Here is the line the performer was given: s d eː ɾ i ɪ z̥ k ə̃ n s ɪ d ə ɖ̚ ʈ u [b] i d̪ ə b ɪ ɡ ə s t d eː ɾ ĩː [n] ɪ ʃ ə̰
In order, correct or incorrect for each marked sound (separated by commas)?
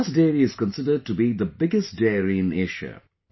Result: correct, correct